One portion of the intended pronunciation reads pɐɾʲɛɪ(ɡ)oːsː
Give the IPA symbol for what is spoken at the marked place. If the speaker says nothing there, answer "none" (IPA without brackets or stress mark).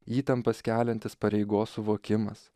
ɡ